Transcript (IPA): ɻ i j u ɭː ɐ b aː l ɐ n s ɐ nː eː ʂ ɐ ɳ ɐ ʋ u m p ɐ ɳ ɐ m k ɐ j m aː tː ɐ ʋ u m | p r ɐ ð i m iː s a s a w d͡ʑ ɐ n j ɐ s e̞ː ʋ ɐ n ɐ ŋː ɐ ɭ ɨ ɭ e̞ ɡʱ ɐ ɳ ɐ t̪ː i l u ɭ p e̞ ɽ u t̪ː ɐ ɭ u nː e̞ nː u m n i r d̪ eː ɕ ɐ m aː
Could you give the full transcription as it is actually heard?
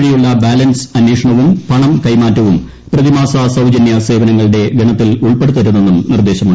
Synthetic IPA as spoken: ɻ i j u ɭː ɐ b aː l ɐ n s ɐ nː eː ʂ ɐ ɳ ɐ ʋ u m p ɐ ɳ ɐ m k ɐ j m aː tː ɐ ʋ u m | p r ɐ ð i m aː s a s ɐ w d͡ʑ ɐ n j ɐ s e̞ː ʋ ɐ n ɐ ŋː ɐ ɭ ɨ ɽ e̞ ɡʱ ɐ ɳ ɐ t̪ː i l u ɭ p e̞ ɽ u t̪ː ɐ ɾ u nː e̞ nː u m n i r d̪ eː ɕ ɐ m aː